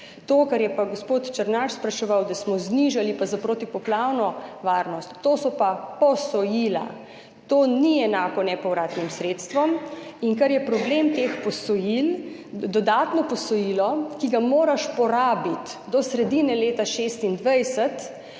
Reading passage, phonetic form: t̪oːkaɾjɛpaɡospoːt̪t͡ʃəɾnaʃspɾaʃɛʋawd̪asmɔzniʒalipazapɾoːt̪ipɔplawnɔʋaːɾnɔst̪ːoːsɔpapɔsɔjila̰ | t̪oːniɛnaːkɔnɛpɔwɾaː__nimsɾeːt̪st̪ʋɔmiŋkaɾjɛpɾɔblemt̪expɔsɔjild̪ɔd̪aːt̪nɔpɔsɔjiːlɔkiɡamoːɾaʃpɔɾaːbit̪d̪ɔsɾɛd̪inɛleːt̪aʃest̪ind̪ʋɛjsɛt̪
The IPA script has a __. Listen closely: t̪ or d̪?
t̪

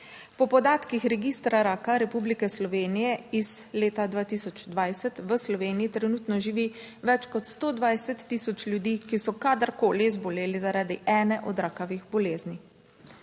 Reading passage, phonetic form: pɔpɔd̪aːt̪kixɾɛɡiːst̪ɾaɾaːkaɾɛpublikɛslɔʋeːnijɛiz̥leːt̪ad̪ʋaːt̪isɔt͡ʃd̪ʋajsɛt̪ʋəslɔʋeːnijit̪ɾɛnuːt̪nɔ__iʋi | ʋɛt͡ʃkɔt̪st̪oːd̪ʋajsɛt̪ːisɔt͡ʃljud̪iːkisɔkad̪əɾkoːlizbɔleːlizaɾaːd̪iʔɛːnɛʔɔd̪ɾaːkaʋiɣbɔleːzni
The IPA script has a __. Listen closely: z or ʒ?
ʒ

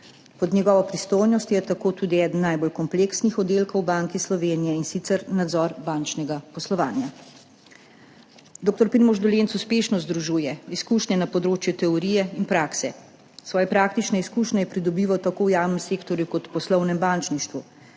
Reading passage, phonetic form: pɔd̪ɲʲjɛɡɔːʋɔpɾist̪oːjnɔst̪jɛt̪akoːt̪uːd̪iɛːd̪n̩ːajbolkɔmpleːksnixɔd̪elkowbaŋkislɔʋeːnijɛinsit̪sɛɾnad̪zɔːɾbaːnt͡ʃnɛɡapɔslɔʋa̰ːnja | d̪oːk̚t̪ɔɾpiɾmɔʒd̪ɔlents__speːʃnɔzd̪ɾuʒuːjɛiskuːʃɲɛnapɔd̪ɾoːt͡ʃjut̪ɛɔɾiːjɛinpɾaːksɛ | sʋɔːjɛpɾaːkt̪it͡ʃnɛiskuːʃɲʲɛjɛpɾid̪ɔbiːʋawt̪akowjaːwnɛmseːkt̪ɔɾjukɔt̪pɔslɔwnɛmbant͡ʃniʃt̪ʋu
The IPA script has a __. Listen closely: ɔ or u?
u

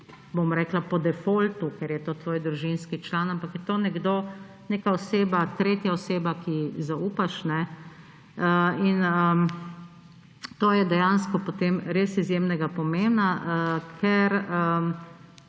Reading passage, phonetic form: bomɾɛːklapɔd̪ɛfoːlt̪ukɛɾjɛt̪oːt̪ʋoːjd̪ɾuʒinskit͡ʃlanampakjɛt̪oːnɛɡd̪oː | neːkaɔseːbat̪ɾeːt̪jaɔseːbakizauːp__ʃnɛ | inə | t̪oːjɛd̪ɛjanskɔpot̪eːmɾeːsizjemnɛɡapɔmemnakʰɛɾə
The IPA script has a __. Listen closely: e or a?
a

